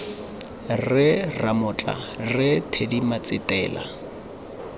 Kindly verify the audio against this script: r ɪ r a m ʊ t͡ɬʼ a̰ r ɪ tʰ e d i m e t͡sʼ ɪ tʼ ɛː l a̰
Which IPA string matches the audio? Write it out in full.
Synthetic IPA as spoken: r ɪ r a m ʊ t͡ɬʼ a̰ r ɪ tʰ e d i m a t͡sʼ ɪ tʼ ɛː l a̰